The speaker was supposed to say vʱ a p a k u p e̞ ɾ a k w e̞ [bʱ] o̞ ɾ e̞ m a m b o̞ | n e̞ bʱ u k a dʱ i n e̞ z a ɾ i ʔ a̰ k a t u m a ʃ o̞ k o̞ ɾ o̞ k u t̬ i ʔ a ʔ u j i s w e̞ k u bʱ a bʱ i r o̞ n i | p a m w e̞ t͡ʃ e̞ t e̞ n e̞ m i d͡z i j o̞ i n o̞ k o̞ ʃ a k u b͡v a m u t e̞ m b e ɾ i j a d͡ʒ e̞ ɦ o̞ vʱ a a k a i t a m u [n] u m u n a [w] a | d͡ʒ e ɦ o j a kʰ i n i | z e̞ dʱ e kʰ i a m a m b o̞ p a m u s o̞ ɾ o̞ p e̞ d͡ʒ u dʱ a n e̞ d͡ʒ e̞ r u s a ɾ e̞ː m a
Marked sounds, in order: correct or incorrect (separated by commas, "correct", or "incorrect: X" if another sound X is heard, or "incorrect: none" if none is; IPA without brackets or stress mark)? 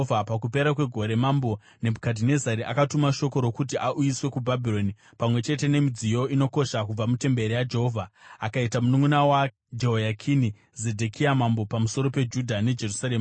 incorrect: ɡʱ, correct, correct